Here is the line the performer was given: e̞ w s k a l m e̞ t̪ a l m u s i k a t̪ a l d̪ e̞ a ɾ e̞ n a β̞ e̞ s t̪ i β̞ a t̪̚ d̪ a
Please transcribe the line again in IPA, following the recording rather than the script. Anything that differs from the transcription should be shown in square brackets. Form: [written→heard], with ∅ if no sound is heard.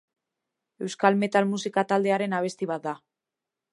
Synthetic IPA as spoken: e̞ w s k a l m e̞ t̪ a l m u s i k a t̪ a l d̪ e̞ a ɾ e̞ n a β̞ e̞ s t̪ i β̞ a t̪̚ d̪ a